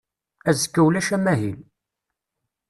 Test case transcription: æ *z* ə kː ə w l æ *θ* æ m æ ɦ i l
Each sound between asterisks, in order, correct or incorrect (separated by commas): correct, incorrect